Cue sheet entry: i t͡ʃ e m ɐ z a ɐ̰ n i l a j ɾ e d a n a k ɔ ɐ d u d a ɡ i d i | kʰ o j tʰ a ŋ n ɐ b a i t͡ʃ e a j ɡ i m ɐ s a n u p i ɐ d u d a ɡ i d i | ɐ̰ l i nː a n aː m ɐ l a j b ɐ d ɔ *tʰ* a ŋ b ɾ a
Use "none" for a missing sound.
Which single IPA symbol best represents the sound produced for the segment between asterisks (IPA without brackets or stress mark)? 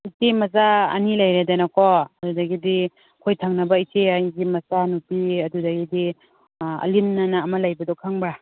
kʰ